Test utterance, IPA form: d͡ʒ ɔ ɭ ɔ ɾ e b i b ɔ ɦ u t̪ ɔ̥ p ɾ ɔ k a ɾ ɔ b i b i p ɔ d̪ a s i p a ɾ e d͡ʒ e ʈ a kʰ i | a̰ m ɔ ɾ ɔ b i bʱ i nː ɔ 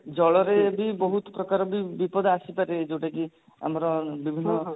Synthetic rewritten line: d͡ʒ ɔ ɭ ɔ ɾ e b i b ɔ ɦ u t̪ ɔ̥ p ɾ ɔ k a ɾ ɔ b i b i p ɔ d̪ a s i p a ɾ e d͡ʒ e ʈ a k i | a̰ m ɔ ɾ ɔ b i bʱ i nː ɔ